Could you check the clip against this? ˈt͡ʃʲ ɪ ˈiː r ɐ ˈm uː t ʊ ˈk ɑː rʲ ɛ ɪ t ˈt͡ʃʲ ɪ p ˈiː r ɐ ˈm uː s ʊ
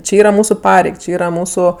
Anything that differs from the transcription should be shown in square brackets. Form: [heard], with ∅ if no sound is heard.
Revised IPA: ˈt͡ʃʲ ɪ ˈiː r ɐ ˈm uː [s] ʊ [ˈp] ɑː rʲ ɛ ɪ [k] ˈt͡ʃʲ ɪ [∅] ˈiː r ɐ ˈm uː s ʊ